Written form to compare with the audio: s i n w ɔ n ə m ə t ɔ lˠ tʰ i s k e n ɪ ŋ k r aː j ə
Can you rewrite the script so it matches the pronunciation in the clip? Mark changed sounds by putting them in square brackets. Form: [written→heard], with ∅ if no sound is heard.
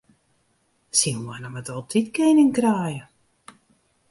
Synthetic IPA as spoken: s i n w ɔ n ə m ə t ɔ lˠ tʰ i [s→t] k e n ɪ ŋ k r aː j ə